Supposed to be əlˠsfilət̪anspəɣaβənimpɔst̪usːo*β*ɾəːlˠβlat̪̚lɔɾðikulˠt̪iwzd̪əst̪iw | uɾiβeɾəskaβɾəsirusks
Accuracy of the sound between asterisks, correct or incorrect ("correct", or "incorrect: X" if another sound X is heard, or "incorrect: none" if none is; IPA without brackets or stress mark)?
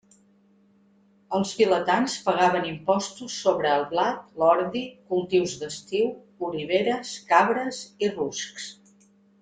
correct